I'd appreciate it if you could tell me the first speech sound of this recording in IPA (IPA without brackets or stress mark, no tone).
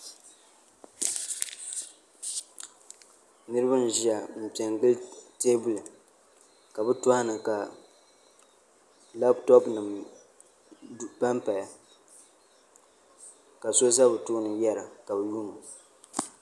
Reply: n